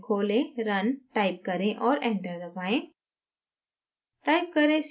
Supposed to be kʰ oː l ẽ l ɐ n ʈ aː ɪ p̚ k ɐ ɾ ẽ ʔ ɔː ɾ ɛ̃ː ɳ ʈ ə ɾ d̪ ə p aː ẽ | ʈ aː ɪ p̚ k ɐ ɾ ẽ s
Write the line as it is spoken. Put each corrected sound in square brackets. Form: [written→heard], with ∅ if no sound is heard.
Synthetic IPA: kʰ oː l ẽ [l→ɾ] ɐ n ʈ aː ɪ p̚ k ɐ ɾ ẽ ʔ ɔː ɾ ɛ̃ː ɳ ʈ ə ɾ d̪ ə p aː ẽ | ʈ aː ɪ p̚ k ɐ ɾ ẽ s